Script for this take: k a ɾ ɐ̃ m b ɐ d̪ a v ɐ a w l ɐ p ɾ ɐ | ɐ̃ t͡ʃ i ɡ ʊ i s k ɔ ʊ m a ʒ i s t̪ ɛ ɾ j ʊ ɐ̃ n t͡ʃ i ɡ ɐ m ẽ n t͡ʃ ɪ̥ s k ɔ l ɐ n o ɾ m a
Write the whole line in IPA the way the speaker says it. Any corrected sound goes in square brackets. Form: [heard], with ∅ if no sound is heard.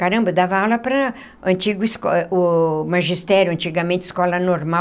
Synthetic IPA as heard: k a ɾ ɐ̃ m b ɐ d̪ a v ɐ a w l ɐ p ɾ ɐ | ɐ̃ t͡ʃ i ɡ ʊ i s k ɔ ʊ m a ʒ i s t̪ ɛ ɾ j ʊ ɐ̃ n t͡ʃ i ɡ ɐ m ẽ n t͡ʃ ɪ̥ s k ɔ l ɐ n o ɾ m a

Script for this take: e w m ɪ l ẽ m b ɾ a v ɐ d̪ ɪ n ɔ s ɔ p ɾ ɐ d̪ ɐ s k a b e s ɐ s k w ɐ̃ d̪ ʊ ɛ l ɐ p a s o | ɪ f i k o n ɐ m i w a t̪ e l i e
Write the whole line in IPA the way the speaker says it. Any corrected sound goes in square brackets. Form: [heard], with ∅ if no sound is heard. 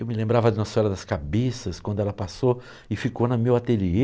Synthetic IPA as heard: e w m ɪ l ẽ m b ɾ a v ɐ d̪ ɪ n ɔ s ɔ [∅] ɾ ɐ d̪ ɐ s k a b e s ɐ s k w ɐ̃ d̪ ʊ ɛ l ɐ p a s o | ɪ f i k o n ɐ m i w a t̪ e l i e

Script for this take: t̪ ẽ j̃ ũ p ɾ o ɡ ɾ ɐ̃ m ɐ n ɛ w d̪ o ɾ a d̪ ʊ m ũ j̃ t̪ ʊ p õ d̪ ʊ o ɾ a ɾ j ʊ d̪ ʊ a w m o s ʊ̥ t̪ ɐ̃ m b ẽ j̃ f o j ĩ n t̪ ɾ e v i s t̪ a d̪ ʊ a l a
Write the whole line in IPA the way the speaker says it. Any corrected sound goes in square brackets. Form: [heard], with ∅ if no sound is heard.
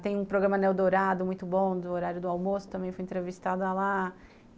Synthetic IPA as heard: t̪ ẽ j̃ ũ p ɾ o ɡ ɾ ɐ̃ m ɐ n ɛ w d̪ o ɾ a d̪ ʊ m ũ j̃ t̪ ʊ [b] õ d̪ ʊ o ɾ a ɾ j ʊ d̪ ʊ a w m o s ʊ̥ t̪ ɐ̃ m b ẽ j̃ f o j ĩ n t̪ ɾ e v i s t̪ a d̪ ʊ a l a

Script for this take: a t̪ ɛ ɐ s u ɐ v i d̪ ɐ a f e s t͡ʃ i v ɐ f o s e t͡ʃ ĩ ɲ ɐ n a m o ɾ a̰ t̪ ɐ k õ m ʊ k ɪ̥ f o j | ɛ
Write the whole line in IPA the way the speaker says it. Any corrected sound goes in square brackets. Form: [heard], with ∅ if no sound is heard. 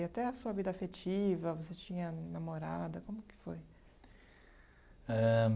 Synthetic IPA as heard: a t̪ ɛ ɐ s u ɐ v i d̪ ɐ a f e [∅] t͡ʃ i v ɐ [v] o s e t͡ʃ ĩ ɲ ɐ n a m o ɾ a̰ [d̪] ɐ k õ m ʊ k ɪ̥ f o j | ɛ

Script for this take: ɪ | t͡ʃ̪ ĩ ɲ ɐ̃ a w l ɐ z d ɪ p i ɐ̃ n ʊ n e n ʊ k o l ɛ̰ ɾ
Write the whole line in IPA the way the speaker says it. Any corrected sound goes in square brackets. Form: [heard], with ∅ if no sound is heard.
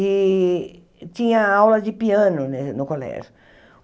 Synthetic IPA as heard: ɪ | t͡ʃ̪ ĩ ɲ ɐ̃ a w l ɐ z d ɪ p i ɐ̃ n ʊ n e n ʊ k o l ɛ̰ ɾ

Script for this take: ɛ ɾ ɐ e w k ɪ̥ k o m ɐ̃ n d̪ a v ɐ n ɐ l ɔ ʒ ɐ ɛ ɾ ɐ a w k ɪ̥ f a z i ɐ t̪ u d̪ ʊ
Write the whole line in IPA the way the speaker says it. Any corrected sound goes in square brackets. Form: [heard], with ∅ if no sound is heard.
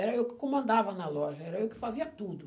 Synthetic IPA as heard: ɛ ɾ ɐ e w k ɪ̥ k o m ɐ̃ n d̪ a v ɐ n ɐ l ɔ ʒ ɐ ɛ ɾ ɐ [e] w k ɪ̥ f a z i ɐ t̪ u d̪ ʊ

